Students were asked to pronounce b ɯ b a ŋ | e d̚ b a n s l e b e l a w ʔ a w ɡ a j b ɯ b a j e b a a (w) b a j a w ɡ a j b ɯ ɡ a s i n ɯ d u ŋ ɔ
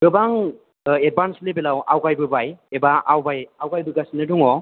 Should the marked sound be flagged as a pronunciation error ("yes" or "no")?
no